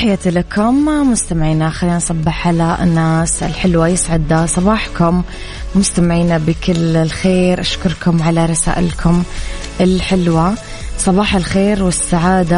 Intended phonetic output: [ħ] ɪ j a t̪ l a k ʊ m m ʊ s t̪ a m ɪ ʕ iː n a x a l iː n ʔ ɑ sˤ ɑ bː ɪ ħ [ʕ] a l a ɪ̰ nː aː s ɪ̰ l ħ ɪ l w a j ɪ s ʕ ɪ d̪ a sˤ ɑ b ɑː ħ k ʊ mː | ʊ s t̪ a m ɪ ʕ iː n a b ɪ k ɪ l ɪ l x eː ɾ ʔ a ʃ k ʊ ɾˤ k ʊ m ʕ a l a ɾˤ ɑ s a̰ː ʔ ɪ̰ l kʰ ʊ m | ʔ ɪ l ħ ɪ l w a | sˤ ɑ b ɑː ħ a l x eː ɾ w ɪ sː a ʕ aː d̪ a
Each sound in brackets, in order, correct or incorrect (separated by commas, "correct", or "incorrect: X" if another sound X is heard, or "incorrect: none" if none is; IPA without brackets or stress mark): correct, correct